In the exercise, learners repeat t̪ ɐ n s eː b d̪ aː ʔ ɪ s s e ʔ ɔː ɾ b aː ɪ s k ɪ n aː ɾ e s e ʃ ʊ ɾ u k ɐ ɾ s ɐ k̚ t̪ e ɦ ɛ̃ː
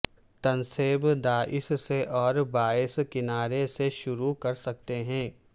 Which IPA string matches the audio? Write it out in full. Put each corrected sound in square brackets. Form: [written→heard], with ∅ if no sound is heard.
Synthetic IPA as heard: t̪ ɐ n s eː b d̪ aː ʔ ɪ s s e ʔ ɔː ɾ b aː ɪ s k ɪ n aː ɾ e s e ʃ ʊ ɾ u k ɐ ɾ s ɐ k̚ t̪ e ɦ ɛ̃ː